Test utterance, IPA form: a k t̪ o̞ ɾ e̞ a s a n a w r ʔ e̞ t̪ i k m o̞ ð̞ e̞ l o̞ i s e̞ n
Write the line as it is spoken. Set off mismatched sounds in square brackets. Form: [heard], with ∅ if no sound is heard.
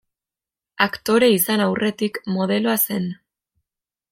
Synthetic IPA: a k t̪ o̞ ɾ e̞ [i] s a n a w r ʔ e̞ t̪ i k m o̞ ð̞ e̞ l o̞ [a] s e̞ n